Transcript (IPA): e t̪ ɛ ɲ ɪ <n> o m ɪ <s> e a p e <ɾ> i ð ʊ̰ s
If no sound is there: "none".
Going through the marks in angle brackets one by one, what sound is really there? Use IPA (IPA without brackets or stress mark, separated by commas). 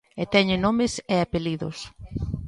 n, s, l